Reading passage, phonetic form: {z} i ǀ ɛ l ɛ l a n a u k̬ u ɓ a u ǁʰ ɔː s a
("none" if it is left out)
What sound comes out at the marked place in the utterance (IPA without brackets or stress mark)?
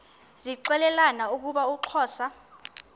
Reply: z